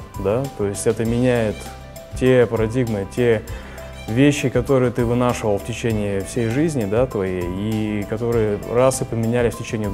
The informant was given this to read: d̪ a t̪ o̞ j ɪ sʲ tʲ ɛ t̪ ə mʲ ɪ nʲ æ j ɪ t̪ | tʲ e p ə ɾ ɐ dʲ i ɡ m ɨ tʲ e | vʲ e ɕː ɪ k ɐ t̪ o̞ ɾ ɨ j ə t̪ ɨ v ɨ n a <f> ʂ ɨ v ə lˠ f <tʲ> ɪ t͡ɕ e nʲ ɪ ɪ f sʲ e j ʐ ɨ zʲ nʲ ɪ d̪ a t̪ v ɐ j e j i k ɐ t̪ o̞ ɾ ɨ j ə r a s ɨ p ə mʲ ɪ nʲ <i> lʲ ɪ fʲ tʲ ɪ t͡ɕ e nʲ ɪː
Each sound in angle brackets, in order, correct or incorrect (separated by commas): incorrect, correct, incorrect